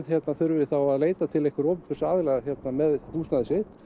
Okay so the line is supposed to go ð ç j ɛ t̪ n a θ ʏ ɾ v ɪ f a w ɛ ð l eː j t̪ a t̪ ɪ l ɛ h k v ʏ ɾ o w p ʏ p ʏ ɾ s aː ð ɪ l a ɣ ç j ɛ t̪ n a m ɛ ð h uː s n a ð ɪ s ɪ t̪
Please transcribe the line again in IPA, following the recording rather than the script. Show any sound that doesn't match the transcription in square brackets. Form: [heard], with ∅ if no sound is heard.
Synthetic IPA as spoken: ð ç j ɛ t̪ n a θ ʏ ɾ v ɪ [θ] a w [a] ð l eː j t̪ a [t̪ʰ] ɪ l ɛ h k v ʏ ɾ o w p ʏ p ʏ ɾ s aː ð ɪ l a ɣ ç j ɛ t̪ n a m ɛ ð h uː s n a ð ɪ s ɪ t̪